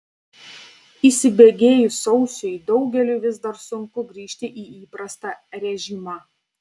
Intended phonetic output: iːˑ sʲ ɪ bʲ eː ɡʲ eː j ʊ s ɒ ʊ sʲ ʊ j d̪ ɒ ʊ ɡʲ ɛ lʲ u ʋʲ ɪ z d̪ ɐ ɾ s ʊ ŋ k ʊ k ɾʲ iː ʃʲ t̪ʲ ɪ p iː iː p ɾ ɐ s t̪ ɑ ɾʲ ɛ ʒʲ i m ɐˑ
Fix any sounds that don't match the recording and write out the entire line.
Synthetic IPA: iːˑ sʲ ɪ bʲ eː ɡʲ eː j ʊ s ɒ ʊ sʲ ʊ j d̪ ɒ ʊ ɡʲ ɛ lʲ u ʋʲ ɪ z d̪ ɐ ɾ s ʊ ŋ k ʊ ɡ ɾʲ iː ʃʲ t̪ʲ ɪ ʔ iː iː p ɾ ɐ s t̪ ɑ ɾʲ ɛ ʒʲ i m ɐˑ